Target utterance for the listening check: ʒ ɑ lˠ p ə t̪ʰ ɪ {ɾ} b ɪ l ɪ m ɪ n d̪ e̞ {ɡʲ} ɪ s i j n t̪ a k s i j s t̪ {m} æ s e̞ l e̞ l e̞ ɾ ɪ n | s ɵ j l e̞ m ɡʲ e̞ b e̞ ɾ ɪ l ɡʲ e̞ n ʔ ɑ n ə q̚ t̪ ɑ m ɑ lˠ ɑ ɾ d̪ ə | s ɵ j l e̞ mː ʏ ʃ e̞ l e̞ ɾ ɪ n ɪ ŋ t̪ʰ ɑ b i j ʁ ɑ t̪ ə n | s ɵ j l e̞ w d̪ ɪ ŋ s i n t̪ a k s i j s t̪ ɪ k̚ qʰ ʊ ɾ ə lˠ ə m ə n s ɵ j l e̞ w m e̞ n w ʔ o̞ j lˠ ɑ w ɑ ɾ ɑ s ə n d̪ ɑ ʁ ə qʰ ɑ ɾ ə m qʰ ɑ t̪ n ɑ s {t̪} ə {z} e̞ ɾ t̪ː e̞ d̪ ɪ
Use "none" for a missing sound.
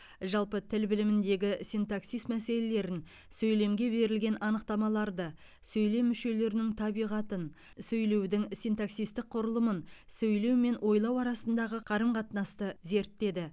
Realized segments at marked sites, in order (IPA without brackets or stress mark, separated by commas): l, ɡʲ, m, t̪, z